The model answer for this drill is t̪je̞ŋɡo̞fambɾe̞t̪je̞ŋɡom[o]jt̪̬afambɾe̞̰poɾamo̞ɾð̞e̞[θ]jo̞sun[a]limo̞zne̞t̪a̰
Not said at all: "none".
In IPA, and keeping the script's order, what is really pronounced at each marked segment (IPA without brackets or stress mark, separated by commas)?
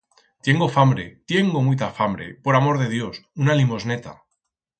u, ð, a